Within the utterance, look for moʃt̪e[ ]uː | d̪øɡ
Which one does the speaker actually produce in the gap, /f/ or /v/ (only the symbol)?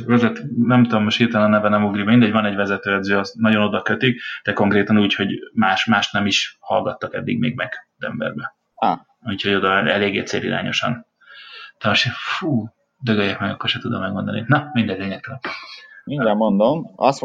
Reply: f